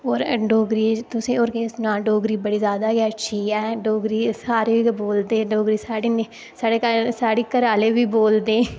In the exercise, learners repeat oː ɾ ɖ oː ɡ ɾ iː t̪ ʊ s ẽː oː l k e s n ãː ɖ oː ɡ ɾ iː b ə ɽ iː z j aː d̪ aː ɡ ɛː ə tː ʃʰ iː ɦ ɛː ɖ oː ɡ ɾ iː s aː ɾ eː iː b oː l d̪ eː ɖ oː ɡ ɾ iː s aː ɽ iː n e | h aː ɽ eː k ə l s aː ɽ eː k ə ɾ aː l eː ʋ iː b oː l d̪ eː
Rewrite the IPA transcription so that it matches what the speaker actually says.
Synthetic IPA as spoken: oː ɾ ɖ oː ɡ ɾ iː t̪ ʊ s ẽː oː ɾ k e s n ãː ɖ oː ɡ ɾ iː b ə ɽ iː z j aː d̪ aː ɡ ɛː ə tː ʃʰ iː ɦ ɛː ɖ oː ɡ ɾ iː s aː ɾ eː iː b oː l d̪ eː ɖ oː ɡ ɾ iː s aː ɽ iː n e | s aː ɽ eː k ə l s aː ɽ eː k ə ɾ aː l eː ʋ iː b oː l d̪ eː